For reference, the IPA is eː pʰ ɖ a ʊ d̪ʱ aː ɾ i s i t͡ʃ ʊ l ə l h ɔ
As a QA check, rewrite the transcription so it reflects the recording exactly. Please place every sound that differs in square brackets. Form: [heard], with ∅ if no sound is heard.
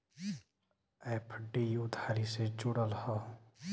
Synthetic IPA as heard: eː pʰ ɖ [i] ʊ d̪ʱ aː ɾ i s [e] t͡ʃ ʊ [ɽ] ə l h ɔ